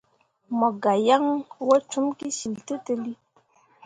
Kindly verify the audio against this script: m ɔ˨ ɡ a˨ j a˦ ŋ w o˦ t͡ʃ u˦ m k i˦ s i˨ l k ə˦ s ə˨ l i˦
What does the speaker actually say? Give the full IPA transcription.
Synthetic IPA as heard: m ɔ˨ ɡ a˨ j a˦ ŋ w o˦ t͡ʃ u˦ m k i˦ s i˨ l t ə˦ t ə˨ l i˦